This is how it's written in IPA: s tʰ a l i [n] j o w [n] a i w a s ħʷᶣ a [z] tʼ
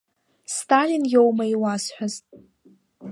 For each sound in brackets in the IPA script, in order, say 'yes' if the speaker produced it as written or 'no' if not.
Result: yes, no, yes

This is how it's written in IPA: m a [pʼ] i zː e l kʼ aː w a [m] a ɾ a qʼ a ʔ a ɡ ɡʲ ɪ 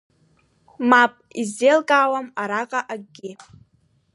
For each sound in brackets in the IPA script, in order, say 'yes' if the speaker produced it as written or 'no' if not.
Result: yes, yes

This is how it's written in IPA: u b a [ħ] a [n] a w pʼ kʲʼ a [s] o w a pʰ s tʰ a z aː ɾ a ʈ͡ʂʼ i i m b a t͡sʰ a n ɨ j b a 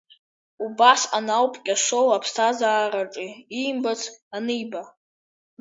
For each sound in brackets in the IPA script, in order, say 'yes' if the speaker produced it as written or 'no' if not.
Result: no, yes, no

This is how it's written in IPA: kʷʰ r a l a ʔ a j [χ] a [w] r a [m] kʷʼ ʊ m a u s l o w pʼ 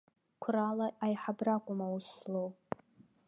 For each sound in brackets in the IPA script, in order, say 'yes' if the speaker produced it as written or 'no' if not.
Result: no, no, no

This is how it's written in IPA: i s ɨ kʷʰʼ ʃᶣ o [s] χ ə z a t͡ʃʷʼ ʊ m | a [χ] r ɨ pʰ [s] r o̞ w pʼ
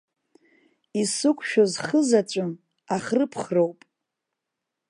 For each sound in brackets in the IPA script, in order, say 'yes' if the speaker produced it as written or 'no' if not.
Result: no, yes, no

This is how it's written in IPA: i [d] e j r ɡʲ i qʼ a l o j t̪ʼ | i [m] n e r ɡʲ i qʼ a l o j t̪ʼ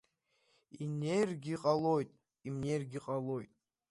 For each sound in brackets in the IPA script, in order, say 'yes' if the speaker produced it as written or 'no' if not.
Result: no, yes

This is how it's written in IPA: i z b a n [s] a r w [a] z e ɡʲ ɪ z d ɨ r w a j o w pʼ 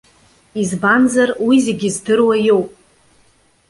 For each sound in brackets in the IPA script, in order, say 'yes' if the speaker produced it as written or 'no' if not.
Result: no, no

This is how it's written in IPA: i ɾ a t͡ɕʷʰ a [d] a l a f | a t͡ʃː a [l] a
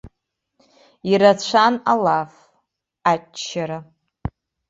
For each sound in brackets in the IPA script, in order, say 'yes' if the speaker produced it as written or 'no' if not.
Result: no, no

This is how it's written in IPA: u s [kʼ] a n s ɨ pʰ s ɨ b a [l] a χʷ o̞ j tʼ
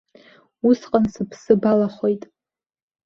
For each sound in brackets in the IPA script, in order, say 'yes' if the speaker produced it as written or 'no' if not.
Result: no, yes

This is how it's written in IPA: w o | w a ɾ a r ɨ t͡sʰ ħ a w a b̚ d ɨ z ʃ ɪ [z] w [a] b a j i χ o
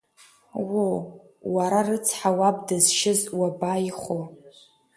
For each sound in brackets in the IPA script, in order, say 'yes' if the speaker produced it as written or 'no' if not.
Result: yes, yes

